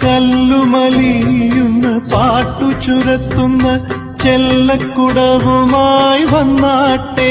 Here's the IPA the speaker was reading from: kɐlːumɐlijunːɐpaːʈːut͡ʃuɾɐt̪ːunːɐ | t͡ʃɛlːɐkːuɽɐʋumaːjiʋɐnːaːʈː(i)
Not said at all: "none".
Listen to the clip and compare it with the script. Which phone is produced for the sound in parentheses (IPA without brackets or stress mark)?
e